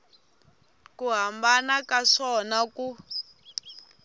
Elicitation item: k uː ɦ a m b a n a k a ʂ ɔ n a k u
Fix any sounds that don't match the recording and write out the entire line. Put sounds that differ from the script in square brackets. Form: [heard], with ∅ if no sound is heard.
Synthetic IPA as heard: k [u] ɦ a m b a n a k a ʂ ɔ n a k u